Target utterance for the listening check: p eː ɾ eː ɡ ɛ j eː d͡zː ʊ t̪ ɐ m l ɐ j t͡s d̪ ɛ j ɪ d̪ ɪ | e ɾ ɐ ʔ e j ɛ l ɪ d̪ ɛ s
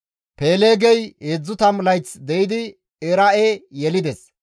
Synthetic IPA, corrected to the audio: p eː l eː ɡ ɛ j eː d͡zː ʊ t̪ ɐ m l ɐ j t͡s d̪ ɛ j ɪ d̪ ɪ | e ɾ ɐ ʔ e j ɛ l ɪ d̪ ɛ s